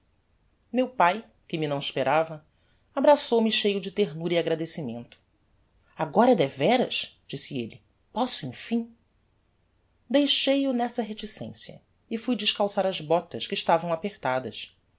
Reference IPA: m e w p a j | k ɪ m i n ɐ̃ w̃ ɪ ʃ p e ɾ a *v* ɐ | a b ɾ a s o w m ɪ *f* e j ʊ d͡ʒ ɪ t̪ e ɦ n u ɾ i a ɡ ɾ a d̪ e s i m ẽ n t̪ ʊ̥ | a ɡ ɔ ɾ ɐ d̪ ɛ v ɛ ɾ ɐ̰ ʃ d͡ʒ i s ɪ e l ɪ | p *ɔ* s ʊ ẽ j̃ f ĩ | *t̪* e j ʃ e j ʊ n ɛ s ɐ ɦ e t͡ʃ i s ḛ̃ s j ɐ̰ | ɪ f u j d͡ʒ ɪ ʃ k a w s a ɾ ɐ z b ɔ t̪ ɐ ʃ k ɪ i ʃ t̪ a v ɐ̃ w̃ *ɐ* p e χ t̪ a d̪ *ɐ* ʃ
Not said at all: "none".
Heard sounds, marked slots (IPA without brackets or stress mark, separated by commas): v, ʃ, ɔ, d̪, a, ɐ